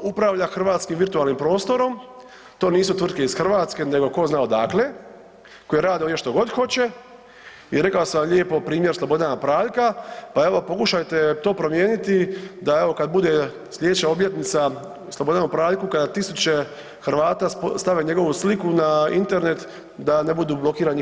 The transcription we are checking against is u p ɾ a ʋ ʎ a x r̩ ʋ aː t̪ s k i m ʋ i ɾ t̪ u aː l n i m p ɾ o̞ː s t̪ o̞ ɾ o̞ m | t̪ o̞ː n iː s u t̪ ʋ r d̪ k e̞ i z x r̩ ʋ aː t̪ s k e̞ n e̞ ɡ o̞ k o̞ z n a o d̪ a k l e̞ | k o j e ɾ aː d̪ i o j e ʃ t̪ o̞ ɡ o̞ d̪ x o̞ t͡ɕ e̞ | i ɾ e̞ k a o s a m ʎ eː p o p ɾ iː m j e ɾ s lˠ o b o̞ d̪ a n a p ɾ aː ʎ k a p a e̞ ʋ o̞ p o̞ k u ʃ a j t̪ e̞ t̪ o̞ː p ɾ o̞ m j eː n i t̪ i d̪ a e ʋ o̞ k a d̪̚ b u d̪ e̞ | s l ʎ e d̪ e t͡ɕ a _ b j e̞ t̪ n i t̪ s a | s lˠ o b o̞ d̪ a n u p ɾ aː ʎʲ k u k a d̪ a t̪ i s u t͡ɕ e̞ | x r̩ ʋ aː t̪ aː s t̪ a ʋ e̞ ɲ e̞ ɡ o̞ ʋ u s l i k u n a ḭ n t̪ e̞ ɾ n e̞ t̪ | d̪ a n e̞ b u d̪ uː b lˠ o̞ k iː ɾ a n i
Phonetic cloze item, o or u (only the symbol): o